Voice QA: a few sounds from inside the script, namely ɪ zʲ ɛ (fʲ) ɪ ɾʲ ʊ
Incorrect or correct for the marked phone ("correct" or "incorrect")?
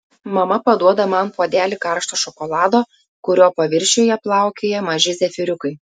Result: correct